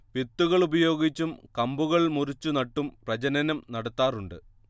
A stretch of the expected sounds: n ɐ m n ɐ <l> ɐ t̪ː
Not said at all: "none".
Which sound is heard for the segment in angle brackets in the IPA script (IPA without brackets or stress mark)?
ɽ